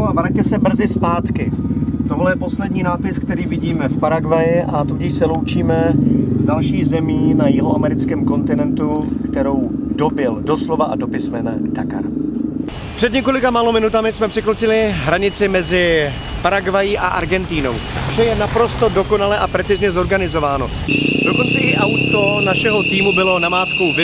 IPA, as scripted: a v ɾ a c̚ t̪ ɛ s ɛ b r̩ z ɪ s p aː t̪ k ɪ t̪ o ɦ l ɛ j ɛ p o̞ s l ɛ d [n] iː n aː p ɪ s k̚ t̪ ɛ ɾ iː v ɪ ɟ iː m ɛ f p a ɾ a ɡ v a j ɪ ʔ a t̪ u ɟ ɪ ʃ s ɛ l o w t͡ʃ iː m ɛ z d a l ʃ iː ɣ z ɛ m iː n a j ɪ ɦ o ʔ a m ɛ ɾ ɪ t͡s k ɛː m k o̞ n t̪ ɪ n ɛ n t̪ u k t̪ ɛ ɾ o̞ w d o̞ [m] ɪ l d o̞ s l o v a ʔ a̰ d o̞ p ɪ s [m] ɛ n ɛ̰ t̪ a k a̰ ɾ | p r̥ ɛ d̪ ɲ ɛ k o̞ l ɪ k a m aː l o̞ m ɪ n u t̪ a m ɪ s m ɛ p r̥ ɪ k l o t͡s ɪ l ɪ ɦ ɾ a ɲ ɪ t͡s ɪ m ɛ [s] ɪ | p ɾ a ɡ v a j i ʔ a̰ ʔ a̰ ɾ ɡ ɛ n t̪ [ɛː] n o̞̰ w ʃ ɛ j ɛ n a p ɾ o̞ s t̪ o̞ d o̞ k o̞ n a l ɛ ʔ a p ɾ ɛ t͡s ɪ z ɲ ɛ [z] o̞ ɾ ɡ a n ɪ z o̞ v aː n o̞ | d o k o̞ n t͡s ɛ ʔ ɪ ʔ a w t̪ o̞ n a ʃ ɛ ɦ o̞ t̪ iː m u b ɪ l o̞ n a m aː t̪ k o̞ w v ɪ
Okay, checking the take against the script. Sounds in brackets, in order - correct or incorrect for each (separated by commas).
incorrect, incorrect, correct, incorrect, incorrect, correct